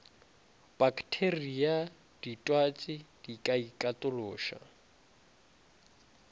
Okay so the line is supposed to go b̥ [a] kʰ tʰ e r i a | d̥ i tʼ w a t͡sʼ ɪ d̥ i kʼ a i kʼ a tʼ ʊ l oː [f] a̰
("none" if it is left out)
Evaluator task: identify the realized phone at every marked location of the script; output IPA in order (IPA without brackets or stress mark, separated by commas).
a, ʃ